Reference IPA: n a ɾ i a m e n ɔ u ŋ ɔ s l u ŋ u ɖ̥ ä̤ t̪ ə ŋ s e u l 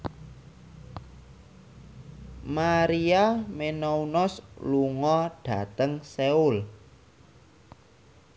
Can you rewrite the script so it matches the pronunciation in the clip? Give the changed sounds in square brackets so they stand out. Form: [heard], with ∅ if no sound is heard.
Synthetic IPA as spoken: [m] a ɾ i a m e n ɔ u [n] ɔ s l u ŋ [ɔ] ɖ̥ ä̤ t̪ ə ŋ s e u l